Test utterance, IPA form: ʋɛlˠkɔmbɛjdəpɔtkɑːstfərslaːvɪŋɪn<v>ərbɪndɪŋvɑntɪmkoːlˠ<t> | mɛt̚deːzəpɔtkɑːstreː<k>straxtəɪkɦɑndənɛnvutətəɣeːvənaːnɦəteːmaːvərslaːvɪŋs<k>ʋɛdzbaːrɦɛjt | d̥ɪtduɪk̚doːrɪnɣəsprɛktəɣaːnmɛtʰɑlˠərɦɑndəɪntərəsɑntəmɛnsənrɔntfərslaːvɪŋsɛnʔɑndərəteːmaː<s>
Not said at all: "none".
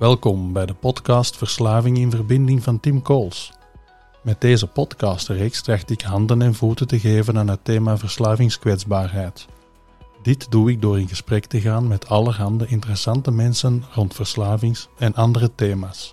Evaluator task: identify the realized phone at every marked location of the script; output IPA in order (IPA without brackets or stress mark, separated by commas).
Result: v, s, k, k, s